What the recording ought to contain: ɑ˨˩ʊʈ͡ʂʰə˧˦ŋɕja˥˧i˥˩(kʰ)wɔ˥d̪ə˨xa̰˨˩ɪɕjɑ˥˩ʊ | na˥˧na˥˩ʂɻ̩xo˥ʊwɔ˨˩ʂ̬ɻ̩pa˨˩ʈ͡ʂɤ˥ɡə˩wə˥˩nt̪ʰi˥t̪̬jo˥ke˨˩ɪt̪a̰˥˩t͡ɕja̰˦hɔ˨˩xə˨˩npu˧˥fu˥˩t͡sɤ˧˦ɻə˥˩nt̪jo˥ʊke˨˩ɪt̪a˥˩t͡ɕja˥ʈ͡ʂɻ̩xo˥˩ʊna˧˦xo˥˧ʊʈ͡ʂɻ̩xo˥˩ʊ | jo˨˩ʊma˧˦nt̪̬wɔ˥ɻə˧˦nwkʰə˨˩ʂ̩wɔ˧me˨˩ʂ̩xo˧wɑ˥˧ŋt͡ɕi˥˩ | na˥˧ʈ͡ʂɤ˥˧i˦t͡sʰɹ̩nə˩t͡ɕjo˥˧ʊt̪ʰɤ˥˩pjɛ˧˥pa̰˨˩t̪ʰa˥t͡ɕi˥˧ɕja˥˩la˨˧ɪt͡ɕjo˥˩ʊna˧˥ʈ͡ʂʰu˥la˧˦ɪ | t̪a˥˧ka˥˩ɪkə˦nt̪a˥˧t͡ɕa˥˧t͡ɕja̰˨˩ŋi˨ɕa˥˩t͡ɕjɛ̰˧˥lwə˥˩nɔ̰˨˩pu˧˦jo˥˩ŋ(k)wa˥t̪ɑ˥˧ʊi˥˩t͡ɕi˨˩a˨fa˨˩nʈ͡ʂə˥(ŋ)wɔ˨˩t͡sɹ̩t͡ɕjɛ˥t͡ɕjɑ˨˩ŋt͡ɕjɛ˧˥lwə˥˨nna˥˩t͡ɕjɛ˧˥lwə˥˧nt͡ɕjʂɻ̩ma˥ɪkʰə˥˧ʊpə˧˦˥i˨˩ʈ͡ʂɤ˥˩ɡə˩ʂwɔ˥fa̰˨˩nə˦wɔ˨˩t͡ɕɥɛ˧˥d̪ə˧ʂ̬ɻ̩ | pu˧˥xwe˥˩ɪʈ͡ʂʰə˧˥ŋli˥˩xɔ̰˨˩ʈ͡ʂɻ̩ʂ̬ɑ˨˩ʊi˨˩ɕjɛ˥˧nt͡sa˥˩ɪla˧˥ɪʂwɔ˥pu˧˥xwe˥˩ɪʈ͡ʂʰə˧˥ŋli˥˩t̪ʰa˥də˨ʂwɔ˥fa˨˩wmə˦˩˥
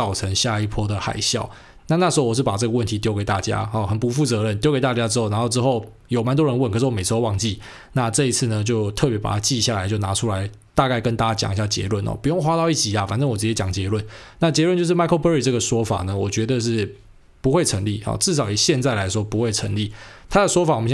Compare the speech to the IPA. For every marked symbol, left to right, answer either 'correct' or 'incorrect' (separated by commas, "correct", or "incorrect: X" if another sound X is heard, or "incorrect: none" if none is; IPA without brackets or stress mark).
incorrect: pʰ, incorrect: x, correct